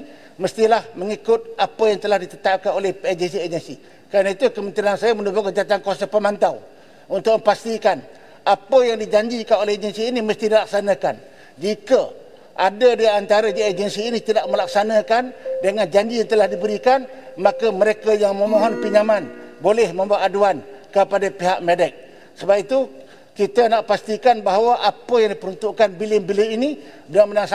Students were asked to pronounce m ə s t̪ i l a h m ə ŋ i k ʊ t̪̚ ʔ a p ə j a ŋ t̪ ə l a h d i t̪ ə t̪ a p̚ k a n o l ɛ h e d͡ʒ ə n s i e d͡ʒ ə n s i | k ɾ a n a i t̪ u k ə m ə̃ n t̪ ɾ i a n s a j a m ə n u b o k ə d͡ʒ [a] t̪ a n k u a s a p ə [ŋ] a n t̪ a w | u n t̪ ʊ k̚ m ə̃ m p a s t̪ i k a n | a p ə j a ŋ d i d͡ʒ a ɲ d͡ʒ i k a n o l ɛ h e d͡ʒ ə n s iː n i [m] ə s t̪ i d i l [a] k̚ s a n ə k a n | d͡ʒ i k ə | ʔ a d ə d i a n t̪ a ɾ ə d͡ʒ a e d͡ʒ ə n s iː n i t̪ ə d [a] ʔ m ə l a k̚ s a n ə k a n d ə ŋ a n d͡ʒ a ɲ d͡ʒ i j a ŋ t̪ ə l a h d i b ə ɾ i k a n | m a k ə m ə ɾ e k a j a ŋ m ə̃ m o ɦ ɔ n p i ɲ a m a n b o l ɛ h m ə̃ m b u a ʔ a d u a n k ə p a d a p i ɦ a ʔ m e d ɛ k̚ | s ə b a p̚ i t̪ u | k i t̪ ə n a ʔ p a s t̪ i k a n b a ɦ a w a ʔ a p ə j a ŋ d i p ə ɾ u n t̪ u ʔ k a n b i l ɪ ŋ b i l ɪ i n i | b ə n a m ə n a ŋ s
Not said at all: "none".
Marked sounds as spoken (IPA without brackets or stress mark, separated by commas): a, m, m, a, a